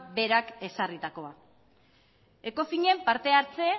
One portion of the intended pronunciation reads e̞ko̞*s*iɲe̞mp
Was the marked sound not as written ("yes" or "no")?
yes